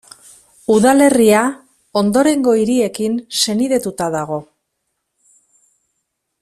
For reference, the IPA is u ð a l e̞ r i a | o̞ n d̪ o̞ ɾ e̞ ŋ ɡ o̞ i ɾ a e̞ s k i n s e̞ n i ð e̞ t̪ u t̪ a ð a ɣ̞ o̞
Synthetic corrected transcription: u ð a l e̞ r i a | o̞ n d̪ o̞ ɾ e̞ ŋ ɡ o̞ i ɾ i e̞ k i n s e̞ n i ð e̞ t̪ u t̪ a ð a ɣ̞ o̞